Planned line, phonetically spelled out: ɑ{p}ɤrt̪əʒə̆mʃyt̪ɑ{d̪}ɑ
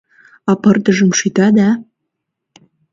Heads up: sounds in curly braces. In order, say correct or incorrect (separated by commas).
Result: correct, correct